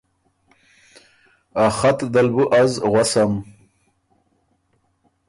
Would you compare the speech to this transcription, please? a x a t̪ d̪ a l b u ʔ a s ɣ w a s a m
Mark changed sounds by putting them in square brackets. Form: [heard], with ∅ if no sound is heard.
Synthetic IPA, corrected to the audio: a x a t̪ d̪ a l b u ʔ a [z] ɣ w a s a m